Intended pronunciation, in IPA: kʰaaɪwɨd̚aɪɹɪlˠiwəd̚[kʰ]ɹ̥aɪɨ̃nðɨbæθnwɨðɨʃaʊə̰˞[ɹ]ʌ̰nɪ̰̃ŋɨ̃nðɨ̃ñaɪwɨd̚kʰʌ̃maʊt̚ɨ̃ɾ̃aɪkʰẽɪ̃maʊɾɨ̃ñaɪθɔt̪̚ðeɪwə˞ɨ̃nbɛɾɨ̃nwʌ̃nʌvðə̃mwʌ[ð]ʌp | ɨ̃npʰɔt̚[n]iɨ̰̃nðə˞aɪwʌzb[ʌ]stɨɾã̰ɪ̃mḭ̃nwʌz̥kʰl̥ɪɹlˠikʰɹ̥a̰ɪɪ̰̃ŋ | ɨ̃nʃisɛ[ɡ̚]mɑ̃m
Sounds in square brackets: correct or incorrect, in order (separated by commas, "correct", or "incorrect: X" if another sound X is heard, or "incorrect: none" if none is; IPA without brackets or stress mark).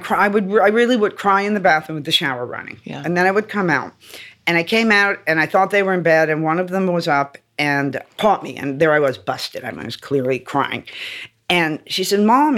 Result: correct, correct, incorrect: z, incorrect: m, correct, incorrect: d̚